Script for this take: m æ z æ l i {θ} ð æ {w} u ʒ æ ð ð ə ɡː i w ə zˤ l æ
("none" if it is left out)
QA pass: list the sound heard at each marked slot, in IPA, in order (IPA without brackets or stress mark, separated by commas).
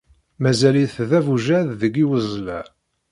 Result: θ, v